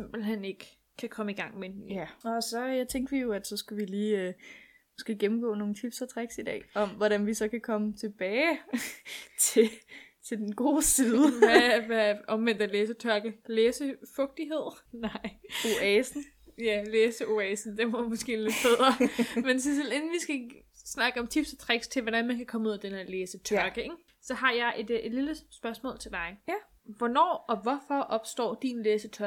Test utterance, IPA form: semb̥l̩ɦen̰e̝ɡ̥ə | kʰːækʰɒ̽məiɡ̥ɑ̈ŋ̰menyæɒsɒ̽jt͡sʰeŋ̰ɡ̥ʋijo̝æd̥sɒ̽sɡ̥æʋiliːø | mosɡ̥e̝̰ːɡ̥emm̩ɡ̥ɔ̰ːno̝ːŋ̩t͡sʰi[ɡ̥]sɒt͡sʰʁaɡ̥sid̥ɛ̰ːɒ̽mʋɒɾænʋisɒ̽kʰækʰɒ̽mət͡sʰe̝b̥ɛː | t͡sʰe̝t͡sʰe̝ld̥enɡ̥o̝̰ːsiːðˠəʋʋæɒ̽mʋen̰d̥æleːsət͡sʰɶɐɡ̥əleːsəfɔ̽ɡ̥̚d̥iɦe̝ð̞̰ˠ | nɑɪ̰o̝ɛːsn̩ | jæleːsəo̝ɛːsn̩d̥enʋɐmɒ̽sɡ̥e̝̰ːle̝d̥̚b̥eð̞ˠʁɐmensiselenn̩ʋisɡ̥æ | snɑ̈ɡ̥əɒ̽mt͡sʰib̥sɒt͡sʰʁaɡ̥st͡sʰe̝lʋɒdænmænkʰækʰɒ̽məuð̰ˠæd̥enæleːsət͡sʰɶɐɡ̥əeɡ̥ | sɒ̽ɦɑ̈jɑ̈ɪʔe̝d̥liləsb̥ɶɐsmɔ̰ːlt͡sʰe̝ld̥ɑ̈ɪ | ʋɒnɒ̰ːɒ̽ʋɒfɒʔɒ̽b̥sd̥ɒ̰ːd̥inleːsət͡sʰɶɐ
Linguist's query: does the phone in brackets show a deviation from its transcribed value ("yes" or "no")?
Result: yes